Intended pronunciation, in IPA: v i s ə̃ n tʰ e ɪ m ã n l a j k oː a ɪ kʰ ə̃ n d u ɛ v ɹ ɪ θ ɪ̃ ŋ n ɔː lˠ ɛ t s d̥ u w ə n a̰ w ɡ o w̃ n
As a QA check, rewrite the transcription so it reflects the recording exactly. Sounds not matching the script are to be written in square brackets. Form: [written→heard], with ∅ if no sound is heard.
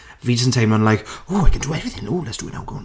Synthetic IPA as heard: v i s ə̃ n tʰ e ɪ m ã n l a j k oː a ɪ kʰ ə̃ n d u ɛ v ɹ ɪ θ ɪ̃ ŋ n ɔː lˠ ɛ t s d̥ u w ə n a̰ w ɡ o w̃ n